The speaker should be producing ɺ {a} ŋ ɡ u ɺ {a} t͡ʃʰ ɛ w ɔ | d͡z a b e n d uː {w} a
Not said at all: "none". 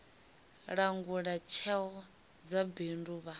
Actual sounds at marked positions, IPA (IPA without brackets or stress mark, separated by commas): a, a, β